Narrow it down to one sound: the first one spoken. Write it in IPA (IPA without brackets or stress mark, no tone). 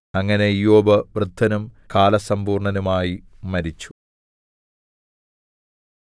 ɐ